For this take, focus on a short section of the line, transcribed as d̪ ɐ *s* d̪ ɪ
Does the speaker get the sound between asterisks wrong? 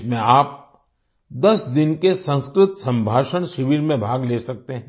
no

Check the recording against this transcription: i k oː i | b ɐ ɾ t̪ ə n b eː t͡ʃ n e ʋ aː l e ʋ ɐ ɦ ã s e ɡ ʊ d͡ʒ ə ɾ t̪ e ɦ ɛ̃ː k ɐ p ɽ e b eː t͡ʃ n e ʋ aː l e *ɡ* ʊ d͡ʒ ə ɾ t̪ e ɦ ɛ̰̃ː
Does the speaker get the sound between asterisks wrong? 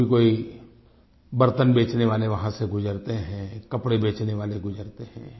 no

